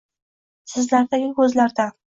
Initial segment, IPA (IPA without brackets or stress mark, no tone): s